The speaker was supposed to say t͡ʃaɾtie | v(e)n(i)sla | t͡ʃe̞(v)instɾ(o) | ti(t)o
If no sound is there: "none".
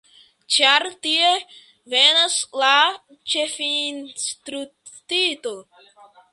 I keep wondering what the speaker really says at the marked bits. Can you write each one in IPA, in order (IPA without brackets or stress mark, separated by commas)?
e, a, f, u, t